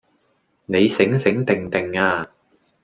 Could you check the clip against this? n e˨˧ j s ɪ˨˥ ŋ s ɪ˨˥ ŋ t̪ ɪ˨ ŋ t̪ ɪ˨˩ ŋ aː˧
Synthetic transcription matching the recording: n e˨˧ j s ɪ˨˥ ŋ s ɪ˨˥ ŋ t̪ ɪ˨ ŋ t̪ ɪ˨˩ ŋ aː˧